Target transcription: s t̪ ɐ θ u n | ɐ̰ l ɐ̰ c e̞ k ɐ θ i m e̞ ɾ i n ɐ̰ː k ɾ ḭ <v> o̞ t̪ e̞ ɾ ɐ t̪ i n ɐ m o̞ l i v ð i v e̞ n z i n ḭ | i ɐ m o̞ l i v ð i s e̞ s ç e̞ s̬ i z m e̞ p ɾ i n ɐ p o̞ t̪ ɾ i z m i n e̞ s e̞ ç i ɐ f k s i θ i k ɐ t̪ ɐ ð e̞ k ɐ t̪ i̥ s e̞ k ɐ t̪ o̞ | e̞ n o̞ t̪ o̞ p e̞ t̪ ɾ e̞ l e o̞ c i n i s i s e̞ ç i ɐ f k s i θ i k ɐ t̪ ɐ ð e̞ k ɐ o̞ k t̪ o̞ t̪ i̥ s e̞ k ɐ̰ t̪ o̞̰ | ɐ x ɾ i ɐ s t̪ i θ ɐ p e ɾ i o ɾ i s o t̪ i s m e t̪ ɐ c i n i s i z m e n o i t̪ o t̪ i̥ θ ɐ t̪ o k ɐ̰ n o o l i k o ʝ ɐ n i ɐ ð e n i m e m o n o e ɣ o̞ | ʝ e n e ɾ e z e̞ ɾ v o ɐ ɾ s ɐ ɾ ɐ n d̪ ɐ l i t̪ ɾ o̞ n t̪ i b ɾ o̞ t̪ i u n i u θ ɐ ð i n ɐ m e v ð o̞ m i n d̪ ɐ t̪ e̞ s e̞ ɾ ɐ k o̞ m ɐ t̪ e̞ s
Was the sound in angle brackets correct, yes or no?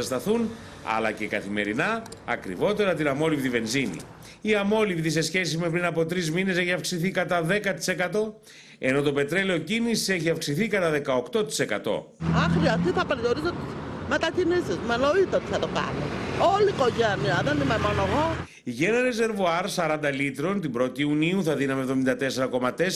yes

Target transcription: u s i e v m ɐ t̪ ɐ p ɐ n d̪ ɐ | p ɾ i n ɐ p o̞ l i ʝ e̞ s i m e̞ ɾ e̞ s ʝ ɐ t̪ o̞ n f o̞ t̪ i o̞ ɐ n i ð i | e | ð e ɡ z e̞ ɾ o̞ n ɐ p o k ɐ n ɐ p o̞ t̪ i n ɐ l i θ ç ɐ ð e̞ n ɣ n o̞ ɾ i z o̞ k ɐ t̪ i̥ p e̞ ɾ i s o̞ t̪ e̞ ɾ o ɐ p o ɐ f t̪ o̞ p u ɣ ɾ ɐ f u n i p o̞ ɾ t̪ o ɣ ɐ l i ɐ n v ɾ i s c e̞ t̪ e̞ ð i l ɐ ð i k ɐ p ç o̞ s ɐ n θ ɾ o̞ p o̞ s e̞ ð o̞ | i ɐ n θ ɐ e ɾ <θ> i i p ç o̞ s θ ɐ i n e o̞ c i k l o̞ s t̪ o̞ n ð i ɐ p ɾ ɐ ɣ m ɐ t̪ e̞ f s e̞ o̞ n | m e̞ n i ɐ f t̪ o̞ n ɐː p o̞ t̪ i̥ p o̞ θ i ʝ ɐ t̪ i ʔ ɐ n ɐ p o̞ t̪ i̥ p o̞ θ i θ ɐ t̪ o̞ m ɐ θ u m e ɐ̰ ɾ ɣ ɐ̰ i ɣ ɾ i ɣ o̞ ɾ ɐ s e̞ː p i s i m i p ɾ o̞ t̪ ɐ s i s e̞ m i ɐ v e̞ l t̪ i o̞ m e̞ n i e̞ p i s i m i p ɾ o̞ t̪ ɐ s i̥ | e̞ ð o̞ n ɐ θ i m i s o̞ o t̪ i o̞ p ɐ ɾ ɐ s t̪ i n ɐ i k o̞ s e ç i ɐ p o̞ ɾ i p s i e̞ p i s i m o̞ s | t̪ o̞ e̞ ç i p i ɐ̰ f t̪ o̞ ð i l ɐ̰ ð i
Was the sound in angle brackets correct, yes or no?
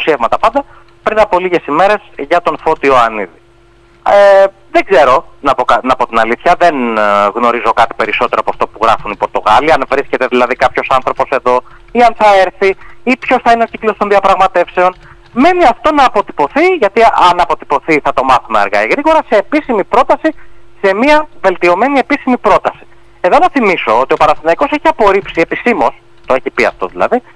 yes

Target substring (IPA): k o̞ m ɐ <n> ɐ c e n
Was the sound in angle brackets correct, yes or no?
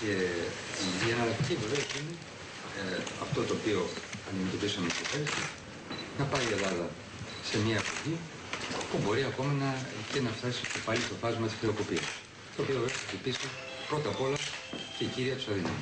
yes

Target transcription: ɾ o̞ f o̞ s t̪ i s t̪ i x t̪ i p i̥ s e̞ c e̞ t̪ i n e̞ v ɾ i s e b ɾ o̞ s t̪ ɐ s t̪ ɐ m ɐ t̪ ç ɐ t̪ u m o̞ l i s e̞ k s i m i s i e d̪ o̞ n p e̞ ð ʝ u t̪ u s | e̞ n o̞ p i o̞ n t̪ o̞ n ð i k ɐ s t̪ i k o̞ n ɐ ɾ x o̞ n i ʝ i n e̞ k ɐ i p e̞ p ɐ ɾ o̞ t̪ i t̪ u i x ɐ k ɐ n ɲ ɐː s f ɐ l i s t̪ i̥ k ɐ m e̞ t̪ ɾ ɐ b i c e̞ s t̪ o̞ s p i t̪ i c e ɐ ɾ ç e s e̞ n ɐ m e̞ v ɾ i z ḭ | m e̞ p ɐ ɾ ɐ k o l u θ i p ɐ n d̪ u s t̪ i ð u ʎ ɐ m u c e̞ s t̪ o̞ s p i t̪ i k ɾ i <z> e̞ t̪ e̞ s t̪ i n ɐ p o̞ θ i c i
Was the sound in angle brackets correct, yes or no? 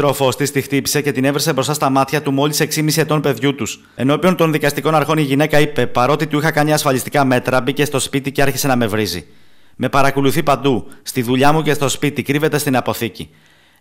no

